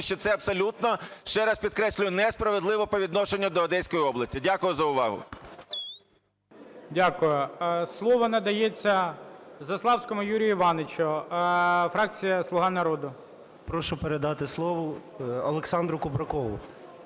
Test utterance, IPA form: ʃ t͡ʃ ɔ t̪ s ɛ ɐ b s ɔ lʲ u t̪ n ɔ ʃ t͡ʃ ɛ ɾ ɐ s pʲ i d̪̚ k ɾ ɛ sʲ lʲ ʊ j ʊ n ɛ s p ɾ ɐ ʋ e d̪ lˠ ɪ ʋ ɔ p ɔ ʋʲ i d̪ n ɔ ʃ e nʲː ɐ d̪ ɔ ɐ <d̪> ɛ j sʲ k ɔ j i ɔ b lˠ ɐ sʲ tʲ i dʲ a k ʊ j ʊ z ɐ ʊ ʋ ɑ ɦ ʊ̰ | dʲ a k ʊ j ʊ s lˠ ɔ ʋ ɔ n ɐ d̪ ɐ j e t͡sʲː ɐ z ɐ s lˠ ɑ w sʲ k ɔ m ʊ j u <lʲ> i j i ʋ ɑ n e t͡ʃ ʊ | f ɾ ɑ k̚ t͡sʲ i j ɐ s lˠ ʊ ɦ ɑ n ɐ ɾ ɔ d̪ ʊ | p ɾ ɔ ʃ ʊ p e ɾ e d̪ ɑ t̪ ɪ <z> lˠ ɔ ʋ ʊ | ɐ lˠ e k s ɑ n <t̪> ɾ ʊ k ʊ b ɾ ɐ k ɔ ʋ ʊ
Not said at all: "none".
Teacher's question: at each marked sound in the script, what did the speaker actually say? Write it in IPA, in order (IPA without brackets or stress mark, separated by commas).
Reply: d̪, ɾʲ, s, d̪